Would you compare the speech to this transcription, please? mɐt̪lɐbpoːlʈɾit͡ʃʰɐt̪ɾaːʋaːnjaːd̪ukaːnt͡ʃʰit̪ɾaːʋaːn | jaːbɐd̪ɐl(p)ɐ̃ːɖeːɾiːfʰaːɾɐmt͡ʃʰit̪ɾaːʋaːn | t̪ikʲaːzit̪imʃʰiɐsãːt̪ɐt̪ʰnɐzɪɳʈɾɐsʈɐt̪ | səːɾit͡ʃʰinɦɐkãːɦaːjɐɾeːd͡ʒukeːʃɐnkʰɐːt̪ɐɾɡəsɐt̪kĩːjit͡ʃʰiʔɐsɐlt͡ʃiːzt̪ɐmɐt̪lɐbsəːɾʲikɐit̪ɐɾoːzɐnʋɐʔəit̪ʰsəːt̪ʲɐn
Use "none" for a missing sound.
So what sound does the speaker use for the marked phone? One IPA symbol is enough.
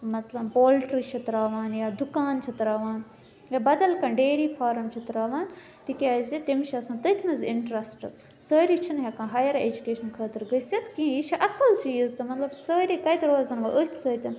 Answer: k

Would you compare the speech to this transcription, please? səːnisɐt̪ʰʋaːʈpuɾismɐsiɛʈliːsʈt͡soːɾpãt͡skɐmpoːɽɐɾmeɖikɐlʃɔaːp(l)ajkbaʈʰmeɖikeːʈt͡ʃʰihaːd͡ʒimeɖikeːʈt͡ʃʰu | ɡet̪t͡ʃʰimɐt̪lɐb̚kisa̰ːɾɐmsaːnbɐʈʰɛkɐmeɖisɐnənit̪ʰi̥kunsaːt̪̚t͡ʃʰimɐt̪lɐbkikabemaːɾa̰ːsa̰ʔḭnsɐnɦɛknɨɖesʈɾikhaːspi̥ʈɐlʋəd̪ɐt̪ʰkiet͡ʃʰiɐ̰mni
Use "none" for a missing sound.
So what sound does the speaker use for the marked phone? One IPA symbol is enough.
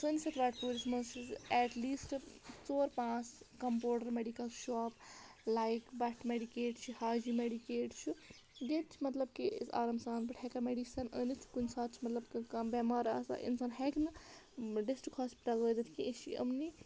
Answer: l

